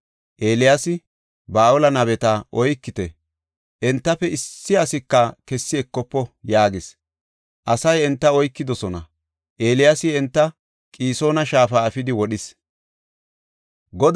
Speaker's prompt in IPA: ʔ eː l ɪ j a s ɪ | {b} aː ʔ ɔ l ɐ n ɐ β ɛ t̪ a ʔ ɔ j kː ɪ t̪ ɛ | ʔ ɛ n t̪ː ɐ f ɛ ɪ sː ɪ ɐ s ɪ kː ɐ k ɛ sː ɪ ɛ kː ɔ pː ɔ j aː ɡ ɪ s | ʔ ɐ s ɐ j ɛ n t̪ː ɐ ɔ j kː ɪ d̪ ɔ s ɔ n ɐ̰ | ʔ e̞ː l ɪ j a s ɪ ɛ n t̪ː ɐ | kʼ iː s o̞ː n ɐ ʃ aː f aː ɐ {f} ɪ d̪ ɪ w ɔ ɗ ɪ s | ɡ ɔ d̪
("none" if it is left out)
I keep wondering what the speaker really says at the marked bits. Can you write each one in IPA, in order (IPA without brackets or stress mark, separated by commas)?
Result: b, f